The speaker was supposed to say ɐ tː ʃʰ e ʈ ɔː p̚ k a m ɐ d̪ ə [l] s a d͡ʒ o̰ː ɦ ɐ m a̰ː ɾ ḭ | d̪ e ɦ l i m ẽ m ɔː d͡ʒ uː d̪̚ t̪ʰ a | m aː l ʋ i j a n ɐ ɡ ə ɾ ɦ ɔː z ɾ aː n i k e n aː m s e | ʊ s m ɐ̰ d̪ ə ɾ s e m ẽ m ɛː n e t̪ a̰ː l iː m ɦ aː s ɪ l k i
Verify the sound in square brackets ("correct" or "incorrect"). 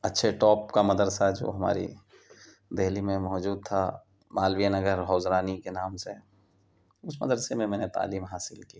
incorrect